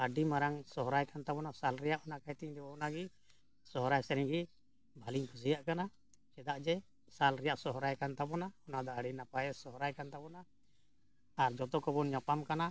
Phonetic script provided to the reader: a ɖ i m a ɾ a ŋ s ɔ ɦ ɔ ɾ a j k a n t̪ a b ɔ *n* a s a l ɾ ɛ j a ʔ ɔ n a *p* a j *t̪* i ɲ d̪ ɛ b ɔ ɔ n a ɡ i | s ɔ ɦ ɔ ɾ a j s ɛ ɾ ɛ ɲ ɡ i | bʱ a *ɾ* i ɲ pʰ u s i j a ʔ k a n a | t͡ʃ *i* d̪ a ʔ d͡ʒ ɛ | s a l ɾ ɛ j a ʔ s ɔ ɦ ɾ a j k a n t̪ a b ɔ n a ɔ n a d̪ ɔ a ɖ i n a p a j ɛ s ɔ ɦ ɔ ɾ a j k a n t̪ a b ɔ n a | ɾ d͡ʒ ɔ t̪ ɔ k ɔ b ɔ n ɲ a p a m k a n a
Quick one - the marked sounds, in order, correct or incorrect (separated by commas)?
correct, incorrect, correct, incorrect, incorrect